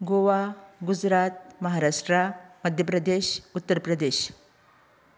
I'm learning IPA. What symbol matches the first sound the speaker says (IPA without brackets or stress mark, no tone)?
ɡ